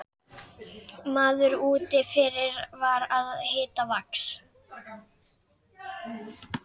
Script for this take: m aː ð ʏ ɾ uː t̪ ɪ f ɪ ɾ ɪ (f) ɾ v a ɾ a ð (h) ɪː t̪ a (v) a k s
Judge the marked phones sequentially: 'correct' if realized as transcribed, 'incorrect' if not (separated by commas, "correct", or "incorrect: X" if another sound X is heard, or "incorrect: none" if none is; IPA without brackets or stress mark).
incorrect: none, correct, correct